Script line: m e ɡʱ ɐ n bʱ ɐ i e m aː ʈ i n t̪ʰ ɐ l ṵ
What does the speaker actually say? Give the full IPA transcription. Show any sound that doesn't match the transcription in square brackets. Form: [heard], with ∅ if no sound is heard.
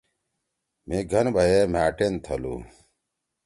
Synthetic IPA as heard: m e ɡʱ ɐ n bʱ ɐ [j] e m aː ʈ [e] n t̪ʰ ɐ l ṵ